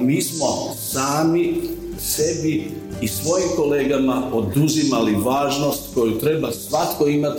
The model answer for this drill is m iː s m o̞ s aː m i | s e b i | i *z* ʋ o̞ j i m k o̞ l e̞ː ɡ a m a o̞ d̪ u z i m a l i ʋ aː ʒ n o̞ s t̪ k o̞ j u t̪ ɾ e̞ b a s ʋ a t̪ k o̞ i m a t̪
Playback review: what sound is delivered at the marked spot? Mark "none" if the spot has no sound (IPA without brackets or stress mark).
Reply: s